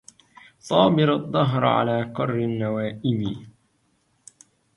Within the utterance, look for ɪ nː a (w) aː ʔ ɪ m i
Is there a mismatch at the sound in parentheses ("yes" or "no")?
no